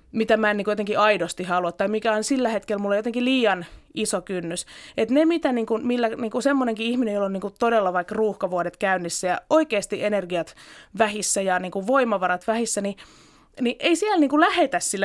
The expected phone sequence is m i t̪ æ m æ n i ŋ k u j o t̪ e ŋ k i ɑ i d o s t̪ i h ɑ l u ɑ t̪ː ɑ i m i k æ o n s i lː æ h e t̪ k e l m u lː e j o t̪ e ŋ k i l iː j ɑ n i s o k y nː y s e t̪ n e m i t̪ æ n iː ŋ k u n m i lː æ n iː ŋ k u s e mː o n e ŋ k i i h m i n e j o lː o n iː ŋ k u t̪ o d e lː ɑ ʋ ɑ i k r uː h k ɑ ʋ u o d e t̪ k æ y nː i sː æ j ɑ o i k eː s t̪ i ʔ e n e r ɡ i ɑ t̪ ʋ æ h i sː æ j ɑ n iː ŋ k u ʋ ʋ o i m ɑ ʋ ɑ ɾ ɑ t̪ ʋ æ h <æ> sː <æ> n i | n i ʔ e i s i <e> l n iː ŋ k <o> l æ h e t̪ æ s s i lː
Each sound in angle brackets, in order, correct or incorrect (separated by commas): incorrect, correct, incorrect, incorrect